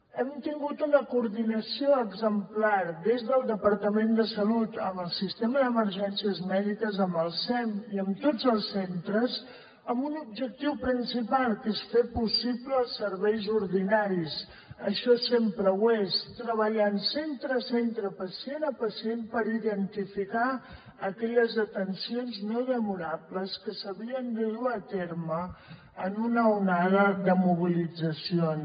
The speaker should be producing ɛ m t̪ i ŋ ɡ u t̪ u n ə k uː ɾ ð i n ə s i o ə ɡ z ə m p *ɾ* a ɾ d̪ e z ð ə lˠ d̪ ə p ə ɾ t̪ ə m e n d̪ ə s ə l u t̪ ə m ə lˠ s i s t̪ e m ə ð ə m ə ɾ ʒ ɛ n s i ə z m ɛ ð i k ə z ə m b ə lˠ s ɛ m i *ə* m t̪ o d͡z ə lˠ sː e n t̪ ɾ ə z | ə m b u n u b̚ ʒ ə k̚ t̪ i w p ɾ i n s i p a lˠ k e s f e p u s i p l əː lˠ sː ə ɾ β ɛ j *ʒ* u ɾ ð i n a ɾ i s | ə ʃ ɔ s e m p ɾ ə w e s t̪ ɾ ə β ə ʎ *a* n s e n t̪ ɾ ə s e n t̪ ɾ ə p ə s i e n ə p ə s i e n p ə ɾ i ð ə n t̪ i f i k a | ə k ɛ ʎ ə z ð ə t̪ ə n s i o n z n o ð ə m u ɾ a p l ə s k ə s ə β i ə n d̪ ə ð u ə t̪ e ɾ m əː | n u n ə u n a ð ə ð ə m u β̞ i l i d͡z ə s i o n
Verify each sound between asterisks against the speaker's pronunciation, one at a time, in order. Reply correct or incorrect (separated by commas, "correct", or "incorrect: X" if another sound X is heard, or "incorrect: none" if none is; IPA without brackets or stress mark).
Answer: incorrect: l, correct, incorrect: z, correct